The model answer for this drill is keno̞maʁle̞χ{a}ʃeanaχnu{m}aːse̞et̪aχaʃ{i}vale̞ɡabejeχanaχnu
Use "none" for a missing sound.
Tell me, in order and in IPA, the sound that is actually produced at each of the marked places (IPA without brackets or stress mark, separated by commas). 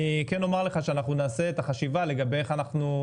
a, n, i